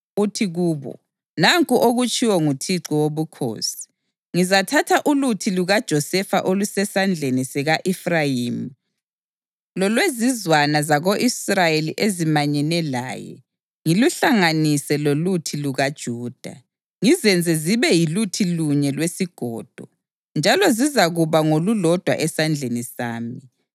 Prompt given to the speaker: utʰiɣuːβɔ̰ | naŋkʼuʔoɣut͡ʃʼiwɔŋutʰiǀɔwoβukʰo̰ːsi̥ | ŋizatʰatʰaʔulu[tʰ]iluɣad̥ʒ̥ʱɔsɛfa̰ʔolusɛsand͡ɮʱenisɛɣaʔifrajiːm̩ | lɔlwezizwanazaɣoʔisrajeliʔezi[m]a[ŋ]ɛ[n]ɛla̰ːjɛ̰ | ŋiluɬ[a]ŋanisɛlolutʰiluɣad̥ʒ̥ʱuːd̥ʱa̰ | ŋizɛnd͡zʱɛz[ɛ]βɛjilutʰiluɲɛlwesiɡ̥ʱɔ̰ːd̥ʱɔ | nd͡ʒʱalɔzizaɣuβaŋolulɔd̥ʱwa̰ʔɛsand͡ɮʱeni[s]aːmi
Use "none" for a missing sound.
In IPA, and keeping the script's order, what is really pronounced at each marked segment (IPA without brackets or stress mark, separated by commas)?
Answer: tʰ, m, ɲ, n, a, i, s